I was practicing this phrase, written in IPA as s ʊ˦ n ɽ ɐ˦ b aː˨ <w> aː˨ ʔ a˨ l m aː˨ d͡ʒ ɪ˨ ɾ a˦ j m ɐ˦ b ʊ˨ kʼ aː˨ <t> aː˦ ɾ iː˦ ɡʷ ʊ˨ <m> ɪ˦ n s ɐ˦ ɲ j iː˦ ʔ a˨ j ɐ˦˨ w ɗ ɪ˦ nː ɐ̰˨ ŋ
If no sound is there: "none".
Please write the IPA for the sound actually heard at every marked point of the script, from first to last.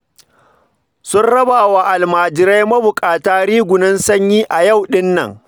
w, t, n

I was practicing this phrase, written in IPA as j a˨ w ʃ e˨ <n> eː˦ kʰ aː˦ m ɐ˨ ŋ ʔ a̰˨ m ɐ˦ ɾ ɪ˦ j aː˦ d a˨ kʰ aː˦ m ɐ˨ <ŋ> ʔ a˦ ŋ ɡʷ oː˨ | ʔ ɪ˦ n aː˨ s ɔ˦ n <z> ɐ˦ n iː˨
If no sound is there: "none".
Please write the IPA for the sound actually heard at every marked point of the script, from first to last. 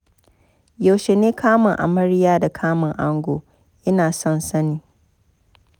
n, ŋ, s

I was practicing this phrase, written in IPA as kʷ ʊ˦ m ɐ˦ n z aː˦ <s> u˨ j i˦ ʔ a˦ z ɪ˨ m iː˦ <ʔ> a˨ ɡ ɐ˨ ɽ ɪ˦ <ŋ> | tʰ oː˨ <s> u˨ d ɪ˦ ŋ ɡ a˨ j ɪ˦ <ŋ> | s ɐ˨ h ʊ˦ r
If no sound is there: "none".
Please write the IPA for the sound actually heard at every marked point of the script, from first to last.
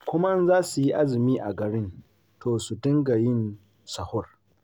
s, ʔ, n, s, n

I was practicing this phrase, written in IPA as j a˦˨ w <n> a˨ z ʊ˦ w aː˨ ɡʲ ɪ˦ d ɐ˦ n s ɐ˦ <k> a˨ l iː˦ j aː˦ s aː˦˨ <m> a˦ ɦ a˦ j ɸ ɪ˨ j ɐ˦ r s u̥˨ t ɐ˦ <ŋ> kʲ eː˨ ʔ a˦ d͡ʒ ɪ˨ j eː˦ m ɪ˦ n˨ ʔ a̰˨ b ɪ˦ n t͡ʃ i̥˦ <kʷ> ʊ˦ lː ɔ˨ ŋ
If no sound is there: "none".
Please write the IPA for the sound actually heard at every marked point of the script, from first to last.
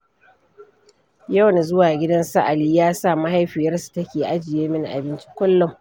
n, ʔ, m, none, kʷ

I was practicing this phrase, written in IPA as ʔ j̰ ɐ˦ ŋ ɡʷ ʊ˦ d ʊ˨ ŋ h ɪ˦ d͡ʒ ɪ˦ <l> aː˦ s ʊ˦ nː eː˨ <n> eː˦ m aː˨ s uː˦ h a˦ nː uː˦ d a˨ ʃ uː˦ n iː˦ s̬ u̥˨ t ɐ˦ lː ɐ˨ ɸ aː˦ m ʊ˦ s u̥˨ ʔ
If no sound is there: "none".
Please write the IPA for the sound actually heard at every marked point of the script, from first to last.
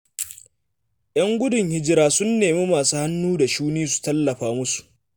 ɾ, m

